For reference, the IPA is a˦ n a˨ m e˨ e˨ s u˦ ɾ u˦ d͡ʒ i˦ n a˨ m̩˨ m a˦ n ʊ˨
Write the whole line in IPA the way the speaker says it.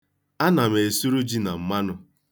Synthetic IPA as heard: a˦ n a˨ m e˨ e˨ s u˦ ɾ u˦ d͡ʒ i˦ n a˨ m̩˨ m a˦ n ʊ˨